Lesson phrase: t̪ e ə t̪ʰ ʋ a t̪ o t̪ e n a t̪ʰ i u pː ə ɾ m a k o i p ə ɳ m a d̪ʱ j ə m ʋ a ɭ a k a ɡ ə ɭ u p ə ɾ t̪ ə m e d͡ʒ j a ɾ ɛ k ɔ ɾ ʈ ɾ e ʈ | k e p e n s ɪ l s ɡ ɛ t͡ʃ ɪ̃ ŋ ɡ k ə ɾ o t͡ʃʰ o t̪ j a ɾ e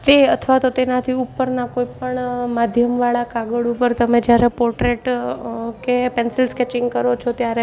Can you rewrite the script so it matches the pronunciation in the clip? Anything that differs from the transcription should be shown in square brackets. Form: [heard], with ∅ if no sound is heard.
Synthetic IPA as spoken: t̪ e ə t̪ʰ ʋ a t̪ o t̪ e n a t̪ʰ i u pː ə ɾ [n] a k o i p ə ɳ m a d̪ʱ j ə m ʋ a ɭ a k a ɡ ə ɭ u p ə ɾ t̪ ə m e d͡ʒ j a ɾ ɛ [p] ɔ ɾ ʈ ɾ e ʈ | k e p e n s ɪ l s [k] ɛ t͡ʃ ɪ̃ ŋ ɡ k ə ɾ o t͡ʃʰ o t̪ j a ɾ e